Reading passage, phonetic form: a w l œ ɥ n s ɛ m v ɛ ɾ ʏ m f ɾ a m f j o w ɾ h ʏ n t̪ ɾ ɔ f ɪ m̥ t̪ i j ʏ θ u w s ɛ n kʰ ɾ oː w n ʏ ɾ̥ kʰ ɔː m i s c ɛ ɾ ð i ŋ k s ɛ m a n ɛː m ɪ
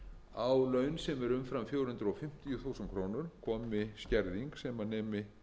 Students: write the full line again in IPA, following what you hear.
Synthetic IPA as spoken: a w l œ ɥ n s ɛ m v ɛ ɾ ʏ m f ɾ a m f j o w ɾ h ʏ n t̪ ɾ ɔ f ɪ m̥ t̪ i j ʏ θ u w s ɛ n kʰ ɾ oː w n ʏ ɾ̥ kʰ ɔː m ɪ s c ɛ ɾ ð i ŋ k s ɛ m a n ɛː m ɪ